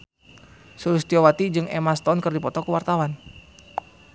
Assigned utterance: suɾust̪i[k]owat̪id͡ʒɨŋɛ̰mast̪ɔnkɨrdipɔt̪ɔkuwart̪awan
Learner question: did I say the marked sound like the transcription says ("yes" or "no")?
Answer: no